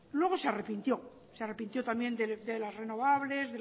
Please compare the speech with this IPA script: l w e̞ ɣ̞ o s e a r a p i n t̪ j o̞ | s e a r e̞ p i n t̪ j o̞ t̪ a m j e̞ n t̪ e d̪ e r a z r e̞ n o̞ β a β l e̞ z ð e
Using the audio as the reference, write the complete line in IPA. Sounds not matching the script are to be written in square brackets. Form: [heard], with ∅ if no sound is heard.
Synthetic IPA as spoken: l w e̞ ɣ̞ o s e a r [e] p i n t̪ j o̞ | s e a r e̞ p i n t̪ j o̞ t̪ a m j e̞ n [d̪] e d̪ e [l] a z r e̞ n o̞ β a β l e̞ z ð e